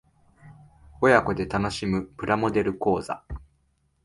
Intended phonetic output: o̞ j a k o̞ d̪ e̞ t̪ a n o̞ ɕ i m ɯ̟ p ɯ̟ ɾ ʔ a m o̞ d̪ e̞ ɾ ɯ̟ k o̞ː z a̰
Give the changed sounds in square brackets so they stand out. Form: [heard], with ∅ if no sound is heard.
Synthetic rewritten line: o̞ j a k o̞ d̪ e̞ t̪ a n o̞ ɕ i m ɯ̟ p ɯ̟ ɾ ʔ a m o̞ d̪ e̞ ɾ ɯ̟ k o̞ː z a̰

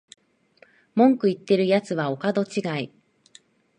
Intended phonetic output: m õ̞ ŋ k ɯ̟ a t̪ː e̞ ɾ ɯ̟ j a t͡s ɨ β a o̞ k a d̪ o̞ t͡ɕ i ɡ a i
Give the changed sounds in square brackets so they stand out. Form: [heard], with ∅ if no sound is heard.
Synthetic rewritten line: m õ̞ ŋ k ɯ̟ [i] t̪ː e̞ ɾ ɯ̟ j a t͡s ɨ β a o̞ k a d̪ o̞ t͡ɕ i ɡ a i

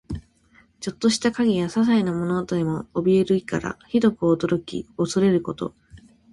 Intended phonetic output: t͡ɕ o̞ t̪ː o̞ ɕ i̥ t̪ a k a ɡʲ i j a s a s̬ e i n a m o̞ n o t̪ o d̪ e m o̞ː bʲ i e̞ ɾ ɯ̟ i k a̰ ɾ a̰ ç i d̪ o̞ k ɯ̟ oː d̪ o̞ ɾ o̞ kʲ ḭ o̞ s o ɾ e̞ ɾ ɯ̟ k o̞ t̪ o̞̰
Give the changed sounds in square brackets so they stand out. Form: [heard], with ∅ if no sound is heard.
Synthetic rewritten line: t͡ɕ o̞ t̪ː o̞ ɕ i̥ t̪ a k a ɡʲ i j a s a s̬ [a] i n a m o̞ n o t̪ o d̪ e m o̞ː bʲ i e̞ ɾ ɯ̟ i k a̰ ɾ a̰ ç i d̪ o̞ k ɯ̟ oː d̪ o̞ ɾ o̞ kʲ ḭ o̞ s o ɾ e̞ ɾ ɯ̟ k o̞ t̪ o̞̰

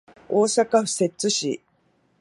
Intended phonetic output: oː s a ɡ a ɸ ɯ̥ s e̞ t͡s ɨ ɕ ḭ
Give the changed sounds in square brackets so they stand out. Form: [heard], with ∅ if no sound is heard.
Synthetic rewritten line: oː s a [k] a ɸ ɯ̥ s e̞ t͡s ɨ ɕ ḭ

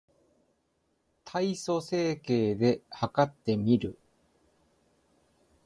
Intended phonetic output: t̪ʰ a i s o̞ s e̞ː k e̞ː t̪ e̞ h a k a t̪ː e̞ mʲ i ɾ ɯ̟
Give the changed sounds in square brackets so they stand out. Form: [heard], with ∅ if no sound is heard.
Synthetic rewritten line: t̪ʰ a i s o̞ s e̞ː k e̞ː [d̪] e̞ h a k a t̪ː e̞ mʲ i ɾ ɯ̟

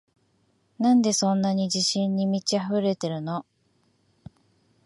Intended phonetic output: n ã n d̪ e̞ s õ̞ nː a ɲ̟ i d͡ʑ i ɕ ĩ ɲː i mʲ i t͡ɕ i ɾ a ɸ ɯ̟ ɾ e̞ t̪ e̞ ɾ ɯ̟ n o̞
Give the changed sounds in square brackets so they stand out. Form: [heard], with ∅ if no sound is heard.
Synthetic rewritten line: n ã n d̪ e̞ s õ̞ nː a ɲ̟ i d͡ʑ i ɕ ĩ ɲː i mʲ i t͡ɕ i [∅] a ɸ ɯ̟ ɾ e̞ t̪ e̞ ɾ ɯ̟ n o̞

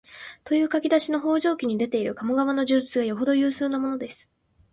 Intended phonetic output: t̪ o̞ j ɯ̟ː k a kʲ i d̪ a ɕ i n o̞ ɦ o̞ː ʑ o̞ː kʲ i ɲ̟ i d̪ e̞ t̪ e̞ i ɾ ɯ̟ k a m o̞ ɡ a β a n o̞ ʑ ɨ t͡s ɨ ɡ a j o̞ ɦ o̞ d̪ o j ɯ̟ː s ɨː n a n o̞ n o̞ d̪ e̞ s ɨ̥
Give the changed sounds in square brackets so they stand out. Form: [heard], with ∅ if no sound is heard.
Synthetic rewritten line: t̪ o̞ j ɯ̟ː k a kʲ i d̪ a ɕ i n o̞ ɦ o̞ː ʑ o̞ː kʲ i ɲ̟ i d̪ e̞ t̪ e̞ i ɾ ɯ̟ k a m o̞ ɡ a β a n o̞ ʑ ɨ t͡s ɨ ɡ a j o̞ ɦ o̞ d̪ o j ɯ̟ː s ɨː n a [m] o̞ n o̞ d̪ e̞ s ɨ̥

